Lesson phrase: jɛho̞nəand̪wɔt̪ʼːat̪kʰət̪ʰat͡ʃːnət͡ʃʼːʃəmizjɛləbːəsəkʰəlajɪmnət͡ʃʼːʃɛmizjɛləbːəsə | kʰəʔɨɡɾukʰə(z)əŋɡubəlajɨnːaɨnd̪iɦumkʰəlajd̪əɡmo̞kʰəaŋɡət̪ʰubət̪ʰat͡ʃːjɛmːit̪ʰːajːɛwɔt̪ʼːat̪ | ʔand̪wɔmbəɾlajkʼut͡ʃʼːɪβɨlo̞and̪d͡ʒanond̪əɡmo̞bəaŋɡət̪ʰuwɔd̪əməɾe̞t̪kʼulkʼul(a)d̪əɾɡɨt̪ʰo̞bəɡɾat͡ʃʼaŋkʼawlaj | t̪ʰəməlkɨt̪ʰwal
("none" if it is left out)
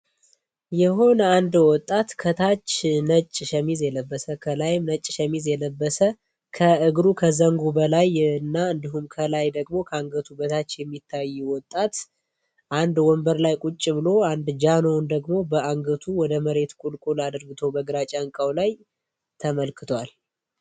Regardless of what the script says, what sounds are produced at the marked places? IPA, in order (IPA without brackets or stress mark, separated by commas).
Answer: z, a